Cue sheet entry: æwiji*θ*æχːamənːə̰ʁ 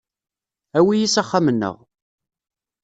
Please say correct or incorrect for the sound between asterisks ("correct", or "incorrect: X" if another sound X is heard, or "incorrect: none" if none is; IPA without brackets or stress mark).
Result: incorrect: s